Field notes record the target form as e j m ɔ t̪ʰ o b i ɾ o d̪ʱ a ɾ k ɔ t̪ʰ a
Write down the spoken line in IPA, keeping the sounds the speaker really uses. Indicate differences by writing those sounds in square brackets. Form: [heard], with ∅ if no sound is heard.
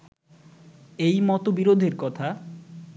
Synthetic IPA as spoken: e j m ɔ [t̪] o b i ɾ o d̪ʱ [e] ɾ k ɔ t̪ʰ a